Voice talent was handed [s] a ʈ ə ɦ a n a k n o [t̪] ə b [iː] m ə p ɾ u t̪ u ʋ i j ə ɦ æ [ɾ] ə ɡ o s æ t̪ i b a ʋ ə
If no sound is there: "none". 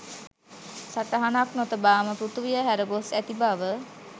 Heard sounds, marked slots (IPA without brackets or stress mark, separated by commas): s, t̪, aː, ɾ